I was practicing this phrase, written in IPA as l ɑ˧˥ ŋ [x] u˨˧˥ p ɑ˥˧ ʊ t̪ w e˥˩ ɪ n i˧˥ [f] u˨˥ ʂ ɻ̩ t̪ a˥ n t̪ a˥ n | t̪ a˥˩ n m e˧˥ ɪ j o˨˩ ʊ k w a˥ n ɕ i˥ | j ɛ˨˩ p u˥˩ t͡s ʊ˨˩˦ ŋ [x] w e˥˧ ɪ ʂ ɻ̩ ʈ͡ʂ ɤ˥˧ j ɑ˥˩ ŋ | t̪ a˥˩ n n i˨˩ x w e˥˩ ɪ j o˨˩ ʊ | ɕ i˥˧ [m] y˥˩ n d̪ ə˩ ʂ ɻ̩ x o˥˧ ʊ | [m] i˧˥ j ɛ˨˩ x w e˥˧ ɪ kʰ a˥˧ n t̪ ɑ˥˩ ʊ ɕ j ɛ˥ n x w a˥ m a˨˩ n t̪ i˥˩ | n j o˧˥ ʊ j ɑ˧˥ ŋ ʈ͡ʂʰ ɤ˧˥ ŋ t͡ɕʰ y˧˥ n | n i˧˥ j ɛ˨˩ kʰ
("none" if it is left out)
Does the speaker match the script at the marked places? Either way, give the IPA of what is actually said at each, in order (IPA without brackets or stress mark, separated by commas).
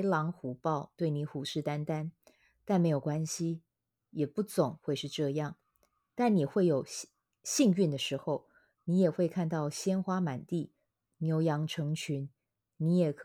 x, x, x, ŋ, n